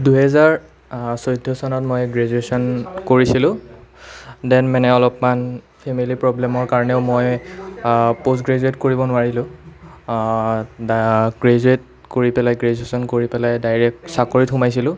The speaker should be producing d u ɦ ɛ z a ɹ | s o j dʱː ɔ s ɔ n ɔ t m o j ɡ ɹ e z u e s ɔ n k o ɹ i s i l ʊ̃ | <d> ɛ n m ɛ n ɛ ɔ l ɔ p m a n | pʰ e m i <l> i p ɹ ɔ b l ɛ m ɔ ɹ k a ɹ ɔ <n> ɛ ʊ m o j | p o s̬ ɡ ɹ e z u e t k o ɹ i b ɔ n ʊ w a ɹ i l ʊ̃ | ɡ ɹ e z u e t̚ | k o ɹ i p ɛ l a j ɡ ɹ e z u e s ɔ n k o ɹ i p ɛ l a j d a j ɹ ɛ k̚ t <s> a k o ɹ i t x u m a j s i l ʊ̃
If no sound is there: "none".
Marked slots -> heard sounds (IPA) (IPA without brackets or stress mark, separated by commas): d, l, n, s